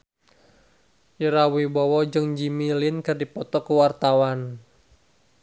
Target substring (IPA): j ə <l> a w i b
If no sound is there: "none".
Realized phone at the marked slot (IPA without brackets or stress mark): ɾ